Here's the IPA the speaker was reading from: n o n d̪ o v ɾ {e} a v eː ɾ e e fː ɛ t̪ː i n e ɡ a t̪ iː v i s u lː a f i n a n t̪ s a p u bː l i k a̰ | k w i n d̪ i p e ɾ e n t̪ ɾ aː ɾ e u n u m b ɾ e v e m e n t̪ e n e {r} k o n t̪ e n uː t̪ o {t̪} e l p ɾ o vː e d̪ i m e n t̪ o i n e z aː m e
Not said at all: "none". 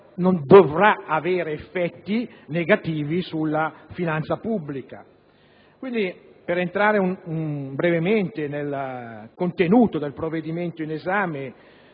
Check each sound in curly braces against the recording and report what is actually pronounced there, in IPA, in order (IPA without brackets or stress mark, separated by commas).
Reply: a, l, d̪